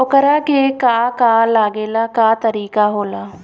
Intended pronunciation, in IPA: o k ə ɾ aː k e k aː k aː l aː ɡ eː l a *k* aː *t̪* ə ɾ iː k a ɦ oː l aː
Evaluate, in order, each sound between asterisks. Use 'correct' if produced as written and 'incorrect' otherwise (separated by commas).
correct, correct